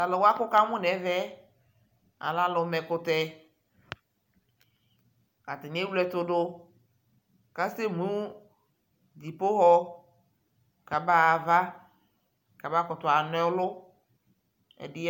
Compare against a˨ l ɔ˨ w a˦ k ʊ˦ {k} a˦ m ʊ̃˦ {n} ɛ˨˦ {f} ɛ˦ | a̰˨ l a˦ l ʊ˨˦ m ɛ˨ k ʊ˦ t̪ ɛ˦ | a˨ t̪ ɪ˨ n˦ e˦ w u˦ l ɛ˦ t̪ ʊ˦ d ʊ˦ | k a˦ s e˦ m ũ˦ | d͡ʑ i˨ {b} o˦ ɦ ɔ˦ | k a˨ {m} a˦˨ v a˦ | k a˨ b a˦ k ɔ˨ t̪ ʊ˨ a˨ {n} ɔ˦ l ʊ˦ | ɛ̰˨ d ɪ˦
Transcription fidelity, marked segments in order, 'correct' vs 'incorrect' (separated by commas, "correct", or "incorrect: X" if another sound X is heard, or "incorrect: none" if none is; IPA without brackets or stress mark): correct, correct, incorrect: v, incorrect: p, incorrect: b, correct